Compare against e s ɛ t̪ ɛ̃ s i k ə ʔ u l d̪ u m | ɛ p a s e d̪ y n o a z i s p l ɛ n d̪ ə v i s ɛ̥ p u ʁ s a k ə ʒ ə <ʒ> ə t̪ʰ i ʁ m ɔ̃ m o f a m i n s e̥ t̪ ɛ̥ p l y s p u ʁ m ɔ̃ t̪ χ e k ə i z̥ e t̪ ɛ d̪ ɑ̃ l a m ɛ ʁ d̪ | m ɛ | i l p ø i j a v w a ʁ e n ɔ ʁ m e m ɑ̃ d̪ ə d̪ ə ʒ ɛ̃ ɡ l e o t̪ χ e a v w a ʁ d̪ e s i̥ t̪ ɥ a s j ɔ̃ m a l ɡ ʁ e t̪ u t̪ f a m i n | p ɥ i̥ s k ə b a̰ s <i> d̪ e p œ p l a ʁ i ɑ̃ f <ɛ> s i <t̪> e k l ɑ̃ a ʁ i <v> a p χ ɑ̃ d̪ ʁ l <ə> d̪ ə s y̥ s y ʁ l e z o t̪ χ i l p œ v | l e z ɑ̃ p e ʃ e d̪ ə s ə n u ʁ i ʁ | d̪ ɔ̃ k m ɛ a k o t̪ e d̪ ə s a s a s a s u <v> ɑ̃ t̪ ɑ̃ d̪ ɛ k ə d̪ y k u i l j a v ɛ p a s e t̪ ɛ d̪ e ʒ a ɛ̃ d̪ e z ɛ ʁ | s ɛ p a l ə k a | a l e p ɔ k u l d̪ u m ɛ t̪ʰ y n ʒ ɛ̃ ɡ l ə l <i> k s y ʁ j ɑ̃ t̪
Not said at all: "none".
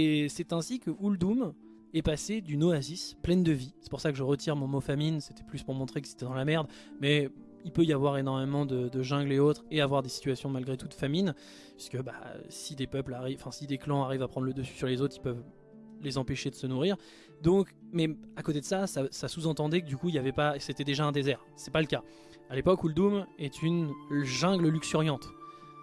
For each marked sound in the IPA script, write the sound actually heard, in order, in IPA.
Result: ʁ, i, ɛ̃, d̪, v, ə, z, y

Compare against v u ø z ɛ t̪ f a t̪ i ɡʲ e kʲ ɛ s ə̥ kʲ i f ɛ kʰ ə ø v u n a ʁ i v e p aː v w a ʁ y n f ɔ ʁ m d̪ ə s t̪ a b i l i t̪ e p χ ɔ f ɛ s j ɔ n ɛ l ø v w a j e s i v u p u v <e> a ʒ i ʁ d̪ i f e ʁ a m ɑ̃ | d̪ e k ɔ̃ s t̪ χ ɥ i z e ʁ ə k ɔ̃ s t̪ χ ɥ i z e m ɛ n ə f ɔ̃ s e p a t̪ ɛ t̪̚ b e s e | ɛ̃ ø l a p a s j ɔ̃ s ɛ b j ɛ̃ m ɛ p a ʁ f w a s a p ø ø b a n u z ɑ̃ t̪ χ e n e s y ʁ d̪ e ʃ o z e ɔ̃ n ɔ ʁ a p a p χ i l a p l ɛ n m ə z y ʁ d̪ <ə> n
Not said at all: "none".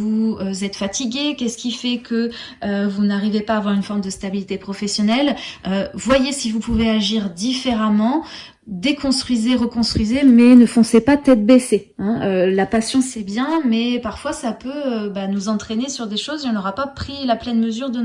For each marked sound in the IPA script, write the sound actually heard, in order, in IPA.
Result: e, ə

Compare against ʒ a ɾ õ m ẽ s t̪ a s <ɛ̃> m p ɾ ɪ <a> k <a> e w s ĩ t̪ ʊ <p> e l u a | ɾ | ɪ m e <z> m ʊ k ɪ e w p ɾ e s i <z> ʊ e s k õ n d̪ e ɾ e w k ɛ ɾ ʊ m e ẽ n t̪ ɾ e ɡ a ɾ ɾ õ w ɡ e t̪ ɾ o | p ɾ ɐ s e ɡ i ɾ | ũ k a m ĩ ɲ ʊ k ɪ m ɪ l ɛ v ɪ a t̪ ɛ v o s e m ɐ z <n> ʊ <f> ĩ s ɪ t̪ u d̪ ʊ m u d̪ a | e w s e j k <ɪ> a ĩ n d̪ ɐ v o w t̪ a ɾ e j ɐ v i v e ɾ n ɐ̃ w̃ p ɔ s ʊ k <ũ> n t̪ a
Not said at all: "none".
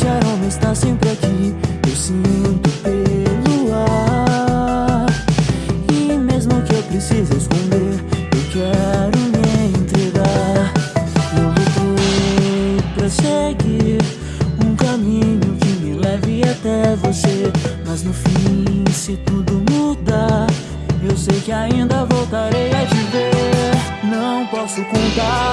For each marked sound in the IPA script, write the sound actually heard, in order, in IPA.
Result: ẽ, a, i, p, z, z, n, f, ɪ, õ

